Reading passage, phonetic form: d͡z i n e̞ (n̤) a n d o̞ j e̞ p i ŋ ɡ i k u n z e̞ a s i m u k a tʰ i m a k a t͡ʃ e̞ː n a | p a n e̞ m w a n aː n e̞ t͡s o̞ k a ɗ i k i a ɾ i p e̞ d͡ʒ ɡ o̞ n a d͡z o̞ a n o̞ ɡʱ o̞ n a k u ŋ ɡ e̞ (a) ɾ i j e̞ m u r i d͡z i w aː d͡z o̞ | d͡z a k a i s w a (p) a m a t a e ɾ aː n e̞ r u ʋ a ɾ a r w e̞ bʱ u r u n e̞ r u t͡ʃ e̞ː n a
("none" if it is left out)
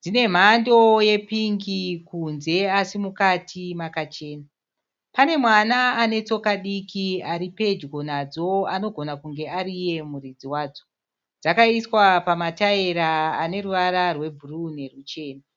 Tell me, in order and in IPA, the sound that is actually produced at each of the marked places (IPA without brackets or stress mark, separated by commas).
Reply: m̤, a, p